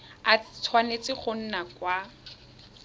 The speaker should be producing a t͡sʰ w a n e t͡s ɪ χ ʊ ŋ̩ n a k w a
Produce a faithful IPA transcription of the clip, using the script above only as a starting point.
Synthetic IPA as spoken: a t͡sʰ w a n e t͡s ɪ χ ʊ n̩ n a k w a